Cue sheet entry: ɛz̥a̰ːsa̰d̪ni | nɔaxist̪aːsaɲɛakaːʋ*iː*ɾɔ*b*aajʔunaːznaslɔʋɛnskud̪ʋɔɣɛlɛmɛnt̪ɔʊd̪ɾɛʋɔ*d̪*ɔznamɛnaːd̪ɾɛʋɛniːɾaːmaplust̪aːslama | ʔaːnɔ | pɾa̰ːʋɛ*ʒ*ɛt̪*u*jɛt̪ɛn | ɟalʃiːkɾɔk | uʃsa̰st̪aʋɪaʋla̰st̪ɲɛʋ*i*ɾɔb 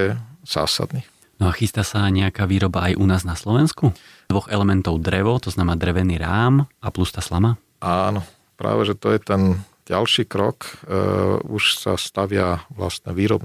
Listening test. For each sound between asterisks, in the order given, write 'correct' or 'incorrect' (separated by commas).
correct, correct, incorrect, correct, incorrect, incorrect